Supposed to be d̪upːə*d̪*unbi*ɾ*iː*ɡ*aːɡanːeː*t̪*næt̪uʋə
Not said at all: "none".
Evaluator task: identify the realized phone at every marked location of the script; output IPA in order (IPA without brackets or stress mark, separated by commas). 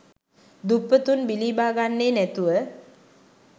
t̪, l, b, none